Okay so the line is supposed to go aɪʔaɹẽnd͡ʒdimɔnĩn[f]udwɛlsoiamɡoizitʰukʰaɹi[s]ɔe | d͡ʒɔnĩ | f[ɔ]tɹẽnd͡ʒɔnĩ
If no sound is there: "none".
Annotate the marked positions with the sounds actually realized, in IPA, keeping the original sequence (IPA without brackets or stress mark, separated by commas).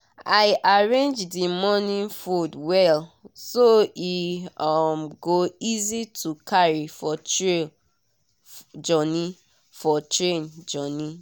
f, f, ɔ